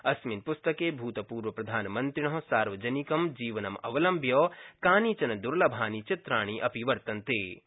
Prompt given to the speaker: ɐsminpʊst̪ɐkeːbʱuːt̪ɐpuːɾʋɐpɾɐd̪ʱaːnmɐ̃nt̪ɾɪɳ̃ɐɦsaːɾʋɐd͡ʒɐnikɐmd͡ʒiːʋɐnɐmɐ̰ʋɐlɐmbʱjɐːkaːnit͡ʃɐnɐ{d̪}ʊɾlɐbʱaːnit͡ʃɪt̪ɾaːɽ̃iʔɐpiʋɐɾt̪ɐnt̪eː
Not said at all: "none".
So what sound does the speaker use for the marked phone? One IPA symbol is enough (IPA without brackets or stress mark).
d̪